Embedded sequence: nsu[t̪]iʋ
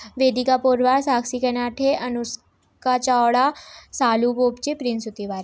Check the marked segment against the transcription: correct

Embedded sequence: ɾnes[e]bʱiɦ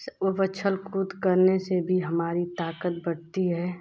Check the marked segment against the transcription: correct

